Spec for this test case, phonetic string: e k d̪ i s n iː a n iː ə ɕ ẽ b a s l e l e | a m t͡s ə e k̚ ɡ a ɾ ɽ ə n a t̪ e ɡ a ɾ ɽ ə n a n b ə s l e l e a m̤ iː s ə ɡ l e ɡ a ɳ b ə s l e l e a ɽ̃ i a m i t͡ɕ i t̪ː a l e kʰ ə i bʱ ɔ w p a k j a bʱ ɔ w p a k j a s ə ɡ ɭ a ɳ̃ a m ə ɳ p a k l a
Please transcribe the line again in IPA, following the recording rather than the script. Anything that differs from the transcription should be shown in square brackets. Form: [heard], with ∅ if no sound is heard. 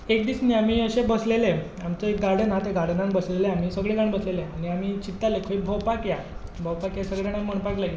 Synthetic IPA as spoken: e k d̪ i s n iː a [m] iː ə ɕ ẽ b [ə] s l e l e | a m t͡s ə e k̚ ɡ a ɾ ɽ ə n a t̪ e ɡ a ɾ ɽ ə n a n b ə s l e l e a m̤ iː s ə ɡ [ɭ] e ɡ a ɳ b ə s l e l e a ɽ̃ i a m i t͡ɕ i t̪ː a l e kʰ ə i bʱ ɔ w p a k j a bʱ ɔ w p a k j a s ə ɡ ɭ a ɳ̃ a m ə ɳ p a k l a